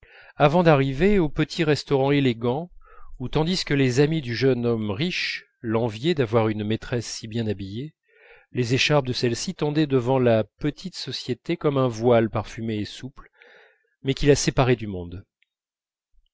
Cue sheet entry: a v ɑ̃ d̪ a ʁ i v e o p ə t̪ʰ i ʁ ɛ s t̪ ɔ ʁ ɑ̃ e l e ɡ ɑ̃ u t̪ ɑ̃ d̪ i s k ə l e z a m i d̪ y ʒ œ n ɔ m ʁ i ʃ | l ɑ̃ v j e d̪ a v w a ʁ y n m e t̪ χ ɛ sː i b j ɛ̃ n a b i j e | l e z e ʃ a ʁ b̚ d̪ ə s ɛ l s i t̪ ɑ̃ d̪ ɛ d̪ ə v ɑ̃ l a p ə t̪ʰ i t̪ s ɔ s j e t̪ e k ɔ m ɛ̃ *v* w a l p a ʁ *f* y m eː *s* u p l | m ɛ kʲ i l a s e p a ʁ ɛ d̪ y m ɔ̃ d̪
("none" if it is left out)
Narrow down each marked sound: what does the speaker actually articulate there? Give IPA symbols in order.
v, f, s

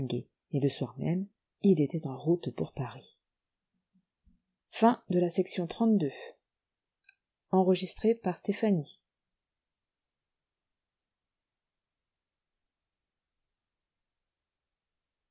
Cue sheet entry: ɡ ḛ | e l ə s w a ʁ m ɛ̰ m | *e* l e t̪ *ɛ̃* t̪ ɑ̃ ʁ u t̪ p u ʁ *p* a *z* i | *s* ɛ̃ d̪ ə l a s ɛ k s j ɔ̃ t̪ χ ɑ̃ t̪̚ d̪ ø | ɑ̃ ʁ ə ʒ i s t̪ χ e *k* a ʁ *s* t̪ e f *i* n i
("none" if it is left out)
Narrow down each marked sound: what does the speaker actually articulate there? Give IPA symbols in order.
i, ɛ, p, ʁ, f, p, s, a

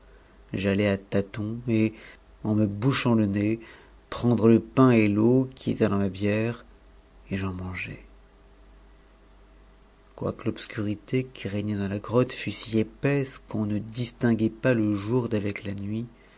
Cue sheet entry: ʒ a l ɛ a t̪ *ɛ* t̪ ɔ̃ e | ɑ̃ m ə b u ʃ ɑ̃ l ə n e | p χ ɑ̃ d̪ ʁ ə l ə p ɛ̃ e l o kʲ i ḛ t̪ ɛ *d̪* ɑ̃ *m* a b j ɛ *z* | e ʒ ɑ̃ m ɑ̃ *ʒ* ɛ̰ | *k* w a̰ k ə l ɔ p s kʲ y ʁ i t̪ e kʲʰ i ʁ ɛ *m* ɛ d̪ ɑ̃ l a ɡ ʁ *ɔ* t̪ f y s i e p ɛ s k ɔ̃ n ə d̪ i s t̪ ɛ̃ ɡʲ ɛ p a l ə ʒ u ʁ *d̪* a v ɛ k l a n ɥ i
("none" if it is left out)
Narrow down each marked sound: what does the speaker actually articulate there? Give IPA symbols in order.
a, d̪, m, ʁ, ʒ, k, ɲ, ɔ, d̪

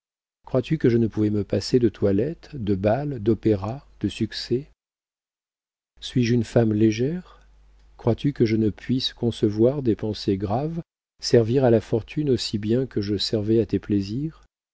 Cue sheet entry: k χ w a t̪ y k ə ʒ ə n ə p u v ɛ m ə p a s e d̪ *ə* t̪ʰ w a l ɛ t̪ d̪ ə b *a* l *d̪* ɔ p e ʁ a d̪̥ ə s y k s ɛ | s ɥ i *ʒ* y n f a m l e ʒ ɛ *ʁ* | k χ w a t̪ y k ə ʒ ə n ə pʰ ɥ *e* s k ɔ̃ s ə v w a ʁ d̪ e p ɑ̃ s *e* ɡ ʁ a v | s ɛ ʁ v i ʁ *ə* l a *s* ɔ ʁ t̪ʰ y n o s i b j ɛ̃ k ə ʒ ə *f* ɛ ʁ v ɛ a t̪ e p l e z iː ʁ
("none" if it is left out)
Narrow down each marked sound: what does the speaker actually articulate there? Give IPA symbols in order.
ə, a, d̪, ʒ, ʁ, i, e, a, f, s

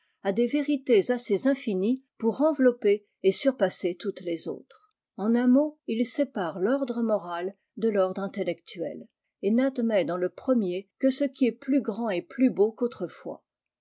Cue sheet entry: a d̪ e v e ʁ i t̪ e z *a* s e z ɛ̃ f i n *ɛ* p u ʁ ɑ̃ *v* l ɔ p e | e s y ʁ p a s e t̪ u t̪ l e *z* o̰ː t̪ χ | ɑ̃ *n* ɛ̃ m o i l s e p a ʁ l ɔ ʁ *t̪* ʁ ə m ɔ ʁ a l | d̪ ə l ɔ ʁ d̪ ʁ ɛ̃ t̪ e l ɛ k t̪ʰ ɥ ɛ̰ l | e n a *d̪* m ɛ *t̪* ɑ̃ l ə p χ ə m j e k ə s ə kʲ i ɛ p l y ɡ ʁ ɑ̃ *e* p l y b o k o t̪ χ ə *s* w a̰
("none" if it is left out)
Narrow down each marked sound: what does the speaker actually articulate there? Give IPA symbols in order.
a, i, v, z, n, d̪, d̪, d̪, e, f

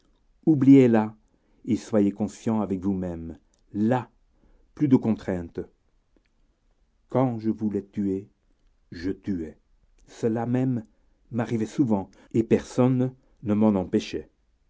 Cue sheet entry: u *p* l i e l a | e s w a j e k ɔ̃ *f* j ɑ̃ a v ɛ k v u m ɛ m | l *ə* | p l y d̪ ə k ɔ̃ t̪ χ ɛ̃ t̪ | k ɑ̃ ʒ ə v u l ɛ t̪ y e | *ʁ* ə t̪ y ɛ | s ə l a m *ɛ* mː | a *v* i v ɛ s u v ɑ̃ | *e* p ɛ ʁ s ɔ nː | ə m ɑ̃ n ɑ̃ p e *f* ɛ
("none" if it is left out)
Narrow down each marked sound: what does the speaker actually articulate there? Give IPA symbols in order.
b, s, a, ʒ, ɛ, ʁ, e, ʃ

